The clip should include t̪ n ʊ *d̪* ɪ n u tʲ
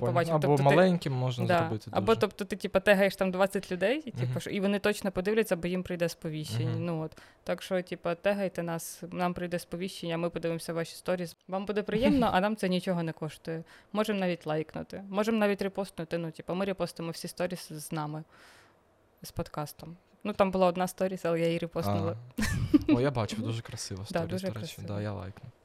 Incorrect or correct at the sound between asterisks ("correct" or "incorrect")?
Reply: incorrect